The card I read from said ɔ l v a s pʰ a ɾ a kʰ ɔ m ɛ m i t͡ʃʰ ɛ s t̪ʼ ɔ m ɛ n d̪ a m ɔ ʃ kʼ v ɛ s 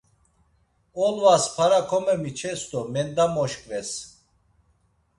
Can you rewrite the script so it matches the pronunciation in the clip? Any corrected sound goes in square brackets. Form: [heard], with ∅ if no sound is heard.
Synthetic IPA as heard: ɔ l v a s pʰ a ɾ a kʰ ɔ m ɛ m i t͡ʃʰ ɛ s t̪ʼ ɔ m ɛ n d̪ a m ɔ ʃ kʼ v ɛ s